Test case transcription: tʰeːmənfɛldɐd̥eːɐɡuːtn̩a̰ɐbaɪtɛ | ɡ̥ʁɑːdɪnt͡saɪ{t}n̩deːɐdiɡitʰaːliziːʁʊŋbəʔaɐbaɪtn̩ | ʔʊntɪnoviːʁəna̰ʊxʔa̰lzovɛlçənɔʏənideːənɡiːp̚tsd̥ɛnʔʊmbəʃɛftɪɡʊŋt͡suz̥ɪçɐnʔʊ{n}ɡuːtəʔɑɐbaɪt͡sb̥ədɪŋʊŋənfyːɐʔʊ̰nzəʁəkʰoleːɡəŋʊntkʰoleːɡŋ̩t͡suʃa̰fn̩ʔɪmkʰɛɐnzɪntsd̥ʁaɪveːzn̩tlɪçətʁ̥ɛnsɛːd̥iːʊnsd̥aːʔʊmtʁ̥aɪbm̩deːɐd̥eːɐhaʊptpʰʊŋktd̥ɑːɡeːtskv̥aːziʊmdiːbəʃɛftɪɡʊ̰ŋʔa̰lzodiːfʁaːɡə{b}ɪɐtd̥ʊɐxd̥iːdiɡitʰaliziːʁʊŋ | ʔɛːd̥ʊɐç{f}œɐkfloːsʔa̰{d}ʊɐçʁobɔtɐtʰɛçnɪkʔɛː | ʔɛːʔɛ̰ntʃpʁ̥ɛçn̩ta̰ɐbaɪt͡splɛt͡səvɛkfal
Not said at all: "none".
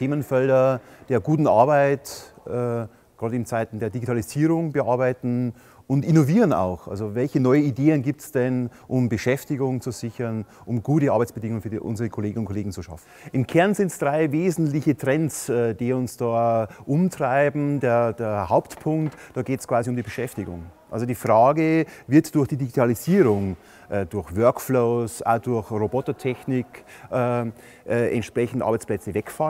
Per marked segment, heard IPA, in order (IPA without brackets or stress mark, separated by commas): t, m, v, v, d